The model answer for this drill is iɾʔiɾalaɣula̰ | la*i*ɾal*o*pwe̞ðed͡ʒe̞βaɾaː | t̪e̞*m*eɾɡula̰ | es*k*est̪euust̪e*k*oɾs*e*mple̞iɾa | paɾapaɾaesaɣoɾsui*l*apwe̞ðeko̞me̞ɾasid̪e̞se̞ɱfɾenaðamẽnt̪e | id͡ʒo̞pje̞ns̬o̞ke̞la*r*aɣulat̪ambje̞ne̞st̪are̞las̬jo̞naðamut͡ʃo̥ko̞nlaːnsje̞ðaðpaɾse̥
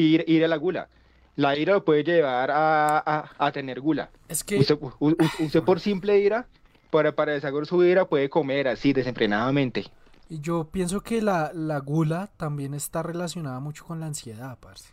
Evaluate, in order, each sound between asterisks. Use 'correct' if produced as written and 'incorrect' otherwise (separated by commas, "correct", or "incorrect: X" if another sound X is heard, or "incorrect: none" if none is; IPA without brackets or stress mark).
correct, correct, incorrect: n, correct, incorrect: p, incorrect: i, incorrect: ɾ, incorrect: l